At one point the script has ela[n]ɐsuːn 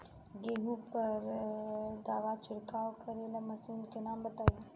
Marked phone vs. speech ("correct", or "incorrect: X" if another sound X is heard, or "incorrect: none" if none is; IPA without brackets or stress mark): incorrect: m